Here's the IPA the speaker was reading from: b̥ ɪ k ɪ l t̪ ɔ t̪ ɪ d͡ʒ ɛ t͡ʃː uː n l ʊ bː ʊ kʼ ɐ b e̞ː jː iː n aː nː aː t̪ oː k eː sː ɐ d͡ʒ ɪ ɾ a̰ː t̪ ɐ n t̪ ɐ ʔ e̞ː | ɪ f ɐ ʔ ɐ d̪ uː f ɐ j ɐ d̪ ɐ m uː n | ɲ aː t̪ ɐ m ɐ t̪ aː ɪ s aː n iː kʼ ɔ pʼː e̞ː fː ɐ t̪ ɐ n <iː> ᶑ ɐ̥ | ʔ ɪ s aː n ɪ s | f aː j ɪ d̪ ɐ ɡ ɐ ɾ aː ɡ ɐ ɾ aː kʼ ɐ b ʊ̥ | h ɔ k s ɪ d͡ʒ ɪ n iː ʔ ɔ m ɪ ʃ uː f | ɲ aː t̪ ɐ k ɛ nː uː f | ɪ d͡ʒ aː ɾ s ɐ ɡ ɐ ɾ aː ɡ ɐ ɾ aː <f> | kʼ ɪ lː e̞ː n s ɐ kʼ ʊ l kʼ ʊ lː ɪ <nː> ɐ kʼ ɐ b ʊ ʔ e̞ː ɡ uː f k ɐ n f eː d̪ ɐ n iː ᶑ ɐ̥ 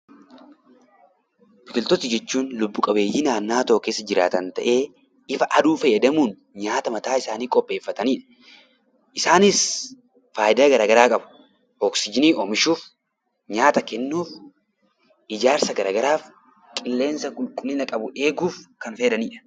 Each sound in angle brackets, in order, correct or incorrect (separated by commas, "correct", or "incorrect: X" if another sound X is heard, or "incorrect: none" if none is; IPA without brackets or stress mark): correct, correct, incorrect: n